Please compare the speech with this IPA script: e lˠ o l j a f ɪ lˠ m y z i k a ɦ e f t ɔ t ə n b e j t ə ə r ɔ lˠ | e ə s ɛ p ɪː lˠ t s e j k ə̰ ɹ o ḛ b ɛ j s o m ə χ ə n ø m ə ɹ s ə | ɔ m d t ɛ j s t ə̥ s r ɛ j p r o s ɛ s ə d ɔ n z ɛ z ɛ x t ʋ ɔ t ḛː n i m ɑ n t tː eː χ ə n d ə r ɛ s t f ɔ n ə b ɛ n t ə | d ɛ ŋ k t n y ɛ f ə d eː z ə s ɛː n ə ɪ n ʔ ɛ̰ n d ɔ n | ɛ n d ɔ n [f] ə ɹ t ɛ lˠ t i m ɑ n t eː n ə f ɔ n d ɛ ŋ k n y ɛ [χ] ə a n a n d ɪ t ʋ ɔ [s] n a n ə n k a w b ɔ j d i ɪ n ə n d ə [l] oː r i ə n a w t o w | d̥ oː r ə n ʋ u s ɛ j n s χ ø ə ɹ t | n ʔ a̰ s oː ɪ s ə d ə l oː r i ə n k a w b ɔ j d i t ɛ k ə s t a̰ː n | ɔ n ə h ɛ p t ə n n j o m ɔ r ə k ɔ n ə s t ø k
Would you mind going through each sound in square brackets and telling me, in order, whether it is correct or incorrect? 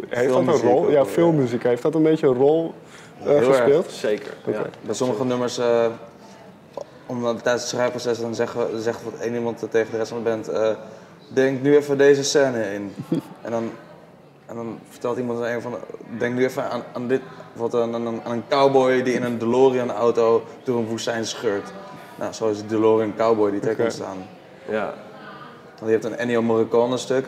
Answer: correct, incorrect, incorrect, correct

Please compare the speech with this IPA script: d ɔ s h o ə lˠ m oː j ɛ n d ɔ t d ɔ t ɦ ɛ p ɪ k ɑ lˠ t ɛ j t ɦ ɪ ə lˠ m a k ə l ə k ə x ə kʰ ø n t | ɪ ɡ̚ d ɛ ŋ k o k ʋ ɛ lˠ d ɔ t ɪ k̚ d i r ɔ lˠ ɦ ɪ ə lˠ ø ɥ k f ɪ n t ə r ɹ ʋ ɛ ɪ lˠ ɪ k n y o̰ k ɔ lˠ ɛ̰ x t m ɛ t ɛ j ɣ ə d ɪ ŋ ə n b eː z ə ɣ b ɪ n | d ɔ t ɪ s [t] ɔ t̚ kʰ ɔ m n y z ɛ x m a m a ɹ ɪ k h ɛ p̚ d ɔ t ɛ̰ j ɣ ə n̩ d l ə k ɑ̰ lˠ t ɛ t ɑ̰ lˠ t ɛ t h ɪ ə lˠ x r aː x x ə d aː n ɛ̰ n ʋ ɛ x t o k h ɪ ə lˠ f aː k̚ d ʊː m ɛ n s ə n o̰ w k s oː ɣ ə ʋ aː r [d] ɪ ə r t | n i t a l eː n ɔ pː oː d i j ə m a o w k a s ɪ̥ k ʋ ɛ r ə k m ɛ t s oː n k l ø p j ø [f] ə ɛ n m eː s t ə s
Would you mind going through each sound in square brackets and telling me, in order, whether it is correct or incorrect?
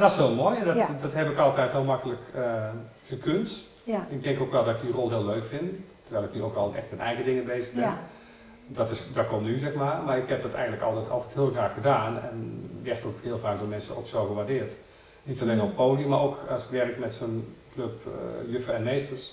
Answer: incorrect, correct, correct

